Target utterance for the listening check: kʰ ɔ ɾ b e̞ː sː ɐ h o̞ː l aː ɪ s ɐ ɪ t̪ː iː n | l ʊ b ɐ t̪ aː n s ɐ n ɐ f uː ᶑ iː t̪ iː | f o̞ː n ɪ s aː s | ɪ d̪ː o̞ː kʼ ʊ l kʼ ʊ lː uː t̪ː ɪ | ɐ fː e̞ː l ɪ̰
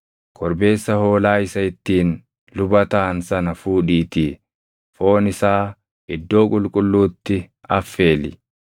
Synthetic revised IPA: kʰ ɔ ɾ b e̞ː sː ɐ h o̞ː l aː ɪ s ɐ ɪ t̪ː iː n | l ʊ b ɐ t̪ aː n s ɐ n ɐ f uː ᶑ iː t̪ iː | f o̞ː n ɪ s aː | ɪ d̪ː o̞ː kʼ ʊ l kʼ ʊ lː uː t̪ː ɪ | ɐ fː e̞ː l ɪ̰